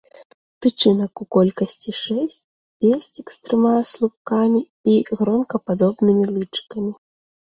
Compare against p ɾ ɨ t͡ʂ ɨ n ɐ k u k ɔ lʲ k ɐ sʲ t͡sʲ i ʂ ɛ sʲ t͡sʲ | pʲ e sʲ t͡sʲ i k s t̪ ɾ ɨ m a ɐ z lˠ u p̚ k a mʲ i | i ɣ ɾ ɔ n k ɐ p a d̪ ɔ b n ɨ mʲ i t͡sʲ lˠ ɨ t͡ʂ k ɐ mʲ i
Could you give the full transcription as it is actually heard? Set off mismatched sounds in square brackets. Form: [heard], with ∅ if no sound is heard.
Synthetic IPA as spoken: p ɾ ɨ t͡ʂ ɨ n ɐ k u k ɔ lʲ k ɐ sʲ t͡sʲ i ʂ ɛ sʲ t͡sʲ | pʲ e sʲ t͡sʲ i k s t̪ ɾ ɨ m a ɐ [s] lˠ u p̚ k a mʲ i | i ɣ ɾ ɔ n k ɐ p a d̪ ɔ b n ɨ mʲ i [∅] lˠ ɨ t͡ʂ k ɐ mʲ i